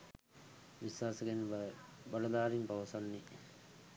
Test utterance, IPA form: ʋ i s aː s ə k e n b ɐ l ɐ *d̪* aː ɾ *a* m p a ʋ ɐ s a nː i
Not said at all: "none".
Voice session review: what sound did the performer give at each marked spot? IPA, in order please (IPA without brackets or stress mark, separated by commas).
d̪, i